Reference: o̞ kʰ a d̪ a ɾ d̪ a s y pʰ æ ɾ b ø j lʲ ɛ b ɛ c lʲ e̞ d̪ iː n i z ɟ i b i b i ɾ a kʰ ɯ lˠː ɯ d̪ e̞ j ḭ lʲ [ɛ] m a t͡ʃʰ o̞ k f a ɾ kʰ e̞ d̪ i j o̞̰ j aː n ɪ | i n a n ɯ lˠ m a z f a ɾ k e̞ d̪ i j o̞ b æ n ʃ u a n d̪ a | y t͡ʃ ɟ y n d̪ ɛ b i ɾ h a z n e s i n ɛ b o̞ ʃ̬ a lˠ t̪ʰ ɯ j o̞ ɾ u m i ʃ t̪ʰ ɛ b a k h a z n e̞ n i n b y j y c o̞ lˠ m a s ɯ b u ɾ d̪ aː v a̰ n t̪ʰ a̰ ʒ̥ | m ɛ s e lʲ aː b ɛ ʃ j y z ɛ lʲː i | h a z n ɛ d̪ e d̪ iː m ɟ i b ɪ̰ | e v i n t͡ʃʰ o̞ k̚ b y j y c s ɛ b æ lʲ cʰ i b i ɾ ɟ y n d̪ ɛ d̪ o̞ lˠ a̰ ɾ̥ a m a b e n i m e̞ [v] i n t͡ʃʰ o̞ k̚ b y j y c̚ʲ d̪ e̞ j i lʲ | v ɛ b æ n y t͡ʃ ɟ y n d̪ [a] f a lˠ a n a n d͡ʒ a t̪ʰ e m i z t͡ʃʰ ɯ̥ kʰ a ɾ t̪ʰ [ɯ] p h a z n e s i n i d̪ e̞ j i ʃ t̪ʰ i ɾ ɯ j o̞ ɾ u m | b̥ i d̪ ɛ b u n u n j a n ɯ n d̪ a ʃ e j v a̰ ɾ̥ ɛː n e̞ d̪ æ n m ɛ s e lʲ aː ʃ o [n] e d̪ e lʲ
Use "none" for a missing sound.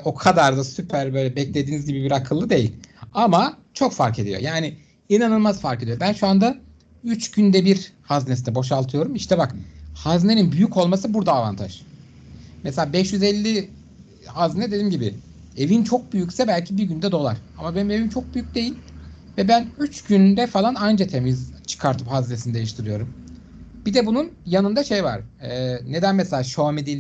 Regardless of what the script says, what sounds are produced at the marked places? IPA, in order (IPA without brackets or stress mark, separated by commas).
a, v, ɛ, ɯ, m